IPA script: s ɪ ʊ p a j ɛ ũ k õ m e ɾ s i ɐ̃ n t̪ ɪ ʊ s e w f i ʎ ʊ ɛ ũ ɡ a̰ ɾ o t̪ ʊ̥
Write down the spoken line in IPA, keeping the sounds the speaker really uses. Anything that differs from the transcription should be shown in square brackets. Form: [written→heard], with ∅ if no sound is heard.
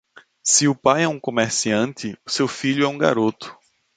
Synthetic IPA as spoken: s ɪ ʊ p a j ɛ ũ k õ m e ɾ s i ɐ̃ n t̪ ɪ ʊ s e w f i ʎ ʊ ɛ ũ ɡ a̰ ɾ o t̪ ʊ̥